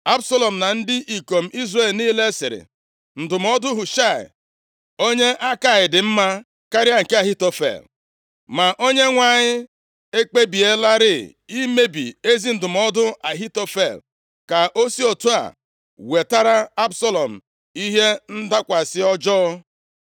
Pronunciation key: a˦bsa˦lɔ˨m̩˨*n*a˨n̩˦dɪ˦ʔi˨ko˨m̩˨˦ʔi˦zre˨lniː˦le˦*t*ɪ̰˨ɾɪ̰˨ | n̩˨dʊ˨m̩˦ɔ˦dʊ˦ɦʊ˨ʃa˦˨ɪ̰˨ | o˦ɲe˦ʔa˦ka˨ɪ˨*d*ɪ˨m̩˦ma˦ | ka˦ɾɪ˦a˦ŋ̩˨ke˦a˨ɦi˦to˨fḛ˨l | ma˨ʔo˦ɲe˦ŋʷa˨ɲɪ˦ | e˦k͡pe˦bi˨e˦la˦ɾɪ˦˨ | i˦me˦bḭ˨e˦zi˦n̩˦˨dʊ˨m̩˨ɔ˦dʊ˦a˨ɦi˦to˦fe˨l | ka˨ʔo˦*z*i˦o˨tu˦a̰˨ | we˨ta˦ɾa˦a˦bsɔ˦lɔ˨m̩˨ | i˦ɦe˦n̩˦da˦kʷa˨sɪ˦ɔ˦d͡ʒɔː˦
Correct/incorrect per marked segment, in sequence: correct, incorrect: s, correct, incorrect: s

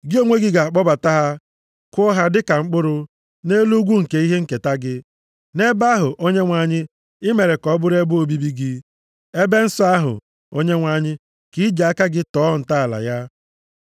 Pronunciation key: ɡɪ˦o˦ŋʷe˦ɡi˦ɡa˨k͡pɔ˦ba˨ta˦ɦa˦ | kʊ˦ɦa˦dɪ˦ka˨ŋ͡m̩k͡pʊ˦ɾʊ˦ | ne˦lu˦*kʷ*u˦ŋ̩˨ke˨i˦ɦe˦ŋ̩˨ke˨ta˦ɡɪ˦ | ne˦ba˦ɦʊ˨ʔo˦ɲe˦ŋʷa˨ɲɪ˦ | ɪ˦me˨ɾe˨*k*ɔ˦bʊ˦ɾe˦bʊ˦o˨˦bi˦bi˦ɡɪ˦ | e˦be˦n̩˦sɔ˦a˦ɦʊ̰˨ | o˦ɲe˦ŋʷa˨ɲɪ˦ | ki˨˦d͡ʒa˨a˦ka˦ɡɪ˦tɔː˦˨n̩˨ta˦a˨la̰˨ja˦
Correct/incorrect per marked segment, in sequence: incorrect: ɡʷ, correct

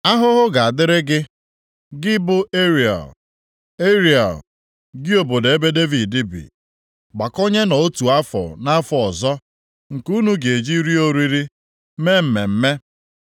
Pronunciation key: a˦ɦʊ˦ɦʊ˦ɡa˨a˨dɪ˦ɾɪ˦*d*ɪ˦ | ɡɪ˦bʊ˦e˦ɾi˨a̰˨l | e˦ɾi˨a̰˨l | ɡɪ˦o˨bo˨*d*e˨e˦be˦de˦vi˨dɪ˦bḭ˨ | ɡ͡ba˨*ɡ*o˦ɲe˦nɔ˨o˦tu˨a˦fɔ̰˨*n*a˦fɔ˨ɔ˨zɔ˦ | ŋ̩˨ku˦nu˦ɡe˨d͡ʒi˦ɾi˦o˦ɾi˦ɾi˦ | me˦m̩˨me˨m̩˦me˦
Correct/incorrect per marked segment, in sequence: incorrect: ɡ, correct, incorrect: k, correct

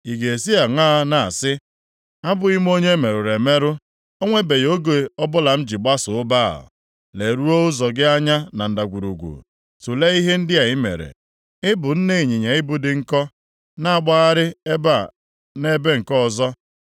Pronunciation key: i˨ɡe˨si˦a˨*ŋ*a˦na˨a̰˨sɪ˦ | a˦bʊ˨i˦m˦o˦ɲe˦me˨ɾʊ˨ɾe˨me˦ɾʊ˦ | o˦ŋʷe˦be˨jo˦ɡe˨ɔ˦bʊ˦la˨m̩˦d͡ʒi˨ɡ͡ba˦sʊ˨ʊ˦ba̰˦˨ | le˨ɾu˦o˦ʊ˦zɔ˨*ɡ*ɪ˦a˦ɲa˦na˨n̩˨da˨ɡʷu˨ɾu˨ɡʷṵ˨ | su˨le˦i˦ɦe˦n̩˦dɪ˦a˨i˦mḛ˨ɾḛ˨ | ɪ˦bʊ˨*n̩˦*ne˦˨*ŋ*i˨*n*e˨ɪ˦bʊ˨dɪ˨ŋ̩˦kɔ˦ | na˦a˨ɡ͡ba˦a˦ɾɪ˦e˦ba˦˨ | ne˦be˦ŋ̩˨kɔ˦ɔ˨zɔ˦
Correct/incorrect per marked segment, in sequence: correct, correct, correct, incorrect: ɲ, incorrect: ɲ

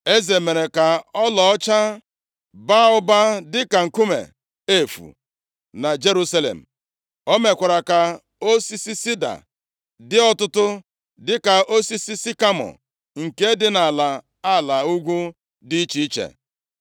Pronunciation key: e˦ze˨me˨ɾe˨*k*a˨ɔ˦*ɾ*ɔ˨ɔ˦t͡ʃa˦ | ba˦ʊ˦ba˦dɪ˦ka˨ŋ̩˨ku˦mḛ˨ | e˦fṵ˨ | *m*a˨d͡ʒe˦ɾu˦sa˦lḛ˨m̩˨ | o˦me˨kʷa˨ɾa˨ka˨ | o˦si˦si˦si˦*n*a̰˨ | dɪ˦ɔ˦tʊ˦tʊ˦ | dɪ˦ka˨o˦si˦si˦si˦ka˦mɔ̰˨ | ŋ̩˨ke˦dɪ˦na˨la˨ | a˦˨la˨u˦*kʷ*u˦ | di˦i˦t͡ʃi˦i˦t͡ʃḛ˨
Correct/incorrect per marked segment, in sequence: correct, incorrect: l, incorrect: n, incorrect: d, incorrect: ɡʷ

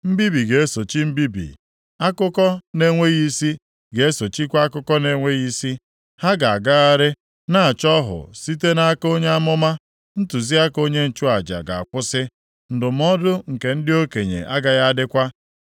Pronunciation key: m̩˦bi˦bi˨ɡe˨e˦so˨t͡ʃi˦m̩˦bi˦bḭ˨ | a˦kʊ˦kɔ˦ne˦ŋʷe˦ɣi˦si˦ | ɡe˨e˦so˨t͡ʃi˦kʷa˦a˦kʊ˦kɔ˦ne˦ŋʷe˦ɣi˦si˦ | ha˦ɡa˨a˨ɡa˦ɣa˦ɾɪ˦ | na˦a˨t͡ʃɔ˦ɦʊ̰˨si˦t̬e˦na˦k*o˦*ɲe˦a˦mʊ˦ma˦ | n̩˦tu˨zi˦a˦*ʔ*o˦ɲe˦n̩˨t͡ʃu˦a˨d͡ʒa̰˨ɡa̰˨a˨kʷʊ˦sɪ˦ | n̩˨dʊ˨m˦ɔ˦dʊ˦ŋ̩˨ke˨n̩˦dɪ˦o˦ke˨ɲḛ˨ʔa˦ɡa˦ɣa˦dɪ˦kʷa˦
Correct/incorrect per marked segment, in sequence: correct, incorrect: k

